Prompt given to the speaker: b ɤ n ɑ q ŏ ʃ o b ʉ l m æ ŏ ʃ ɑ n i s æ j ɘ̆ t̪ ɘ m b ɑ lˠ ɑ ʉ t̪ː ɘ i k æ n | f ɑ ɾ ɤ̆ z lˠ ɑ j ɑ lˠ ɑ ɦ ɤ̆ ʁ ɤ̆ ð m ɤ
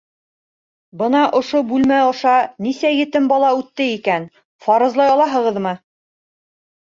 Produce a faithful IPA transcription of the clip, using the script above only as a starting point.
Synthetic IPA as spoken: b ɤ n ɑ ʔ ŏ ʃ o b ʉ l m æ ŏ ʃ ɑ n i s æ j ɘ̆ t̪ ɘ m b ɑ lˠ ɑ ʉ t̪ː ɘ i k æ n | f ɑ ɾ ɤ̆ z lˠ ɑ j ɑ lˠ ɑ ɦ ɤ̆ ʁ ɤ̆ ð m ɤ